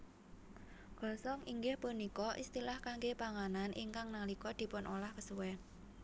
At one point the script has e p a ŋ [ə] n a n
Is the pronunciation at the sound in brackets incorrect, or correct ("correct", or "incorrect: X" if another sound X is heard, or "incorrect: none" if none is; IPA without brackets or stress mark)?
incorrect: a